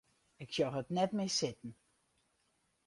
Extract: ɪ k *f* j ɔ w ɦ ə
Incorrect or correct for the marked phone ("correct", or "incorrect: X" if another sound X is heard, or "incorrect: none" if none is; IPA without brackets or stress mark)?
incorrect: s